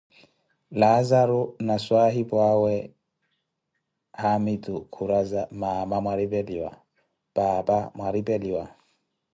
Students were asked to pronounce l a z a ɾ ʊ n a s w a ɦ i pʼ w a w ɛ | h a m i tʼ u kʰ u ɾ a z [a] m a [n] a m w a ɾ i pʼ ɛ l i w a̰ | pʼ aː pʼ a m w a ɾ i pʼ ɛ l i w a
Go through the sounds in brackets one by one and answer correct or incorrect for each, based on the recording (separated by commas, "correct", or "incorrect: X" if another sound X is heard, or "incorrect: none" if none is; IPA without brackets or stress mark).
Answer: correct, incorrect: m